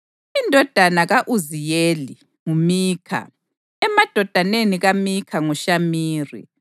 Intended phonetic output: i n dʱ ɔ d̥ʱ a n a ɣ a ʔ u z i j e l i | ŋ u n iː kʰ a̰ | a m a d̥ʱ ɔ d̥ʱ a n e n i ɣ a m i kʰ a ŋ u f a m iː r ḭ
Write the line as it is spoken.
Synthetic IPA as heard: i n dʱ ɔ d̥ʱ a n a ɣ a ʔ u z i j e l i | ŋ u m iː kʰ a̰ | ɛ m a d̥ʱ ɔ d̥ʱ a n e n i ɣ a m i kʰ a ŋ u ʃ a m iː r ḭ